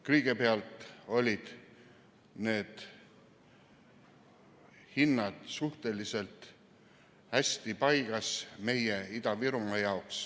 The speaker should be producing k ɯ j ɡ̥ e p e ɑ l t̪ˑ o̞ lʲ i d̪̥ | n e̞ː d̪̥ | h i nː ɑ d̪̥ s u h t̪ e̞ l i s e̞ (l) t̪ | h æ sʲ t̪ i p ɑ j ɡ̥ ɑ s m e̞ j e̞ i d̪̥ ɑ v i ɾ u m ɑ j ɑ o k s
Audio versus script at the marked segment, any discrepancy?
no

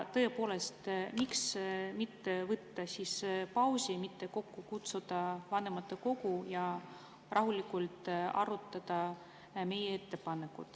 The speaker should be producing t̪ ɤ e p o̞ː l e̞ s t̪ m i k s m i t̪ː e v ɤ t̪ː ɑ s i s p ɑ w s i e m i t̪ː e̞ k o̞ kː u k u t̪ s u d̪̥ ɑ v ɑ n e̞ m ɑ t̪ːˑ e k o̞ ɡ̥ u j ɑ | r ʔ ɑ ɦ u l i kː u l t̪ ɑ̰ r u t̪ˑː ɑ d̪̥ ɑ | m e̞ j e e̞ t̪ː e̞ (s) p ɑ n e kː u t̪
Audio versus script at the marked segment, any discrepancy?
yes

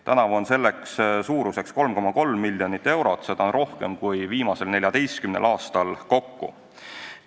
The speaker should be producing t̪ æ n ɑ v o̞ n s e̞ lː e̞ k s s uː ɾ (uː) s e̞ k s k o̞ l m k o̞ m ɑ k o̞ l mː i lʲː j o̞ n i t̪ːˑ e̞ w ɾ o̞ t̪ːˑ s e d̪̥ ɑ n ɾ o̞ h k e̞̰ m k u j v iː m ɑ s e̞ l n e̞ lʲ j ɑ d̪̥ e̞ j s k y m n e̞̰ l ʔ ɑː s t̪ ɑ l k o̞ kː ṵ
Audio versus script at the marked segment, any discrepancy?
yes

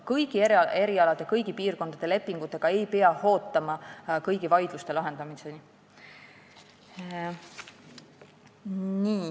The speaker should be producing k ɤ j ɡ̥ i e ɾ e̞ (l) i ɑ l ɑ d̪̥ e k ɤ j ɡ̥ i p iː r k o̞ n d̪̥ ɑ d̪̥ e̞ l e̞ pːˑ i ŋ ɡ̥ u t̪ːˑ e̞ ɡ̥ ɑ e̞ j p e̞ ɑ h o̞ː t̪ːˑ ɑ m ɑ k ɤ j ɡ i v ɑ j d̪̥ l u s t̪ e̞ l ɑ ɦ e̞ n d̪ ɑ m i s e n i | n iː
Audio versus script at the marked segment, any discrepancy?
yes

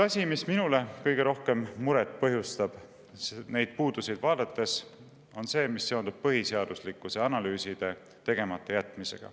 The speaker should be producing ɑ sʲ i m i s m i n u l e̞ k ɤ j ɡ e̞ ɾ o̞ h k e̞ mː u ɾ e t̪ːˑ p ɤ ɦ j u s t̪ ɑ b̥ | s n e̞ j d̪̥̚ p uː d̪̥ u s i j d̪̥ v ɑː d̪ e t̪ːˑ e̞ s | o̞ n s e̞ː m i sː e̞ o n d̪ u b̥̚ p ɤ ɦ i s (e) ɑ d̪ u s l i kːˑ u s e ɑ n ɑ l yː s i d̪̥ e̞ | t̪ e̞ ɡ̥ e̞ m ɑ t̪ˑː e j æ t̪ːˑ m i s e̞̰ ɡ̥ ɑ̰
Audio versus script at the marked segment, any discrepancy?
no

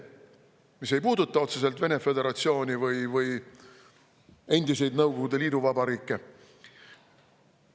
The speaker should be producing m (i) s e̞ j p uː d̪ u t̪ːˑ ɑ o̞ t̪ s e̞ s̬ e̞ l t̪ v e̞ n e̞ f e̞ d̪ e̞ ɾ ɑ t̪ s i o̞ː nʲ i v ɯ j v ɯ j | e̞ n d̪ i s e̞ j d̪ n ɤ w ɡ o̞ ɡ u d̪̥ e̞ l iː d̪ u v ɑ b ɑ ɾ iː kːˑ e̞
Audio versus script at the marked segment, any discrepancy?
no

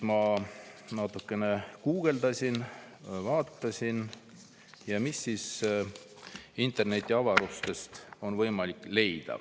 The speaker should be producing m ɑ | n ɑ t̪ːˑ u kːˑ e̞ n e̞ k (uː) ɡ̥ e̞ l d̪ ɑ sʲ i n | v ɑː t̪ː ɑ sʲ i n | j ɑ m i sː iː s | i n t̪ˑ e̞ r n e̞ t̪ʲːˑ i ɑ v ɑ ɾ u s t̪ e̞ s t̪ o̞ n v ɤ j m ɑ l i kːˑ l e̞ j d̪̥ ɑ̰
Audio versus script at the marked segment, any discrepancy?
no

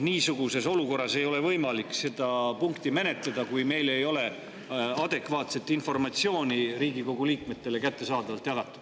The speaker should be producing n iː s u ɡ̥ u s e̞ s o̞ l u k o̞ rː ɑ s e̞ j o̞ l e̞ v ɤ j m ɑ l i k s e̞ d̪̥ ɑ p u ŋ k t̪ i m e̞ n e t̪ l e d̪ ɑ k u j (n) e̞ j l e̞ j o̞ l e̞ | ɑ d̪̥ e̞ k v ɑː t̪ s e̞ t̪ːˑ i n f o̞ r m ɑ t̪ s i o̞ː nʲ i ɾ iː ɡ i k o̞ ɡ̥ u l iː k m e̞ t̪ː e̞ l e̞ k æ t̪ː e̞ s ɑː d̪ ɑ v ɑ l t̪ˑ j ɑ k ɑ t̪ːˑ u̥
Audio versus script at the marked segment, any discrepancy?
yes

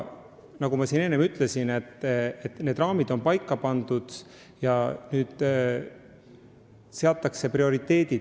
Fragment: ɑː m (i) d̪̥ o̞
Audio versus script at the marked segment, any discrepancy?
no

